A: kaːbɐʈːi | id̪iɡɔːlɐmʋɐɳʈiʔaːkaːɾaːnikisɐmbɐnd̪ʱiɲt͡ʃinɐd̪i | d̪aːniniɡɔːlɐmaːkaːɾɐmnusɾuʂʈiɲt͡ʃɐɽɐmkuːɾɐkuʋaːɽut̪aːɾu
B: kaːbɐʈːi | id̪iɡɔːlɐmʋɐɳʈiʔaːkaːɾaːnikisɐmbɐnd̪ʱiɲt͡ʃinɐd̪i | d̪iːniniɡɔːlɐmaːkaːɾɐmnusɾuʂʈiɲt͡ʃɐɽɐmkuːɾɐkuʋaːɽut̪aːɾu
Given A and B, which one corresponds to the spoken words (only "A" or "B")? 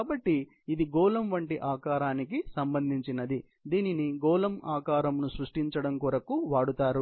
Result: B